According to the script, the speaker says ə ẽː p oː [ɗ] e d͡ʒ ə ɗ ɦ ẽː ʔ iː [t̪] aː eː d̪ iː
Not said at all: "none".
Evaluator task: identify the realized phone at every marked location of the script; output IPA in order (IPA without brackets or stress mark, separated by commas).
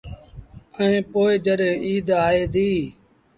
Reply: none, d̪